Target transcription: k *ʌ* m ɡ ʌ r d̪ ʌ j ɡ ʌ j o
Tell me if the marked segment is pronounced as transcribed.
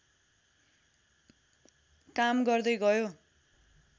no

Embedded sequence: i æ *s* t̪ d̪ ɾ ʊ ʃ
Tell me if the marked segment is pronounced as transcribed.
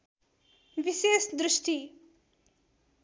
yes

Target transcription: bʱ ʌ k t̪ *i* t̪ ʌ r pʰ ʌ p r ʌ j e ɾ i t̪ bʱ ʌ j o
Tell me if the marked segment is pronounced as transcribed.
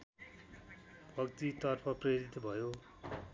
yes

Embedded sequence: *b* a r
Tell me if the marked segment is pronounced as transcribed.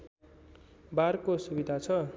yes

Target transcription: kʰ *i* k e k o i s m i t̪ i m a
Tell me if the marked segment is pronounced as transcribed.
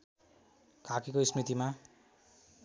no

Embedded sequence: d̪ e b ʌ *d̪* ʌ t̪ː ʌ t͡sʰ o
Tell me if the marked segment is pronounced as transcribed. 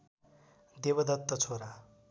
yes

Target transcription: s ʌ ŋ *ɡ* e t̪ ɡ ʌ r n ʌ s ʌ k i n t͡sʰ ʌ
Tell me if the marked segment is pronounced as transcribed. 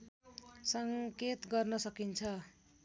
no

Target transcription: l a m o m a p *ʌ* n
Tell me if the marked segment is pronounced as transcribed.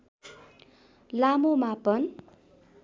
yes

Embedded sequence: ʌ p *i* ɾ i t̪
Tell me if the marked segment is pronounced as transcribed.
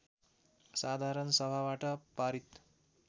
no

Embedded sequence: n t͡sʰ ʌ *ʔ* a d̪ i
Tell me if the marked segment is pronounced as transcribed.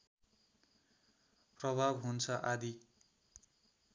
yes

